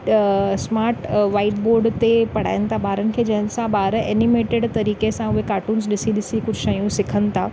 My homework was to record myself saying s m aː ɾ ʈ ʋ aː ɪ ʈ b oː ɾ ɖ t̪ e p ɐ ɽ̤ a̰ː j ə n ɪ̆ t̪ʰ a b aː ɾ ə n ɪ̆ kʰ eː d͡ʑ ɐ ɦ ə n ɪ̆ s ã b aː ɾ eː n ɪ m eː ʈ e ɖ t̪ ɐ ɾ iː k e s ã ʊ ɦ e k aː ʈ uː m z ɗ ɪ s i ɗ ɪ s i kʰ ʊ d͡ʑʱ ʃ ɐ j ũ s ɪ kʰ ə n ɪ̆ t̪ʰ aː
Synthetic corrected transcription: s m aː ɾ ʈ ʋ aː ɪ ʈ b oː ɾ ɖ t̪ e p ɐ ɽ̤ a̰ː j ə n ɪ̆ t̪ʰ a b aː ɾ ə n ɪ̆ kʰ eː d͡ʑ ɐ ɦ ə n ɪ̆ s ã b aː ɾ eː n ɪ m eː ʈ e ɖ t̪ ɐ ɾ iː k e s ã ʊ ɦ e k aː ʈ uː n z ɗ ɪ s i ɗ ɪ s i k ʊ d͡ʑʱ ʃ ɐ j ũ s ɪ kʰ ə n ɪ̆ t̪ʰ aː